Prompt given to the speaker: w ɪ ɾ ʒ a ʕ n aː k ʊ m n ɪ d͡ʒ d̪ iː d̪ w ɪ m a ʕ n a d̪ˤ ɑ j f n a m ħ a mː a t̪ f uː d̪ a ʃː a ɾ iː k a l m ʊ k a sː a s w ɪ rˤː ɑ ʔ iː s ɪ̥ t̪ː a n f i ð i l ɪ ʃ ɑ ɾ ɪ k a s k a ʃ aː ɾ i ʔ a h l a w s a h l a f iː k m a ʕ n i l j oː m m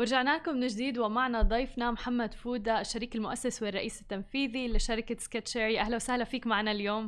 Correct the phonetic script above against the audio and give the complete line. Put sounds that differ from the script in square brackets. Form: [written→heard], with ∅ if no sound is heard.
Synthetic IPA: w ɪ ɾ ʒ a ʕ n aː k ʊ m n ɪ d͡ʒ d̪ iː d̪ w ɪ m a ʕ n a d̪ˤ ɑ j f n a m ħ a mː a [t̪→d̪] f uː d̪ a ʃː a ɾ iː k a l m ʊ [k→ʔ] a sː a s w ɪ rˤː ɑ ʔ iː s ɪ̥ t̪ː a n f [i→iː] ð i l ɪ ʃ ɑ ɾ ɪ k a s k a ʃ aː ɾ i ʔ a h l a w s a h l a f iː k m a ʕ n [i→a] l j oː m m